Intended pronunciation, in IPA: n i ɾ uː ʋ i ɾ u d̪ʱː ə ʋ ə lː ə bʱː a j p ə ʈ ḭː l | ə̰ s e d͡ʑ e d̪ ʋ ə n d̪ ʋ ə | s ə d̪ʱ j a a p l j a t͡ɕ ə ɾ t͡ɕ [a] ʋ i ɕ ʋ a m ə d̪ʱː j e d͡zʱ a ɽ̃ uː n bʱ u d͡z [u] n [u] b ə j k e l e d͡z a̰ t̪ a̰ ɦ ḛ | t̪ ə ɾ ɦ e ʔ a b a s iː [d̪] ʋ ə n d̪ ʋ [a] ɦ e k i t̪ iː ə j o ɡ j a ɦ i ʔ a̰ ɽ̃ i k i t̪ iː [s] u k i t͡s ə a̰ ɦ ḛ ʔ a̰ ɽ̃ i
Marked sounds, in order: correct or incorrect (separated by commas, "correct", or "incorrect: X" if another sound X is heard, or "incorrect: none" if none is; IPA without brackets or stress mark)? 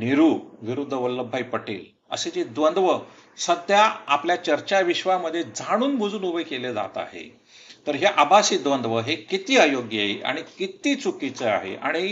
correct, incorrect: uː, correct, correct, incorrect: ə, incorrect: t͡s